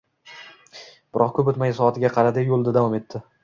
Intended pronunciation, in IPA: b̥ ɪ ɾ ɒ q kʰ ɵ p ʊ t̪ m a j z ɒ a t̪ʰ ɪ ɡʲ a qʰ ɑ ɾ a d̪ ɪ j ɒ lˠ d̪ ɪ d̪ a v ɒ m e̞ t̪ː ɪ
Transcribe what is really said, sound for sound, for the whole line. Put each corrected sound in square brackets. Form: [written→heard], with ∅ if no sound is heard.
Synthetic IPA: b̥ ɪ ɾ ɒ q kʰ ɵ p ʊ t̪ m a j [z→s] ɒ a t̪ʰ ɪ ɡʲ a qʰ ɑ ɾ a d̪ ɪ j [ɒ→o] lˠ d̪ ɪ d̪ a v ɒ m e̞ t̪ː ɪ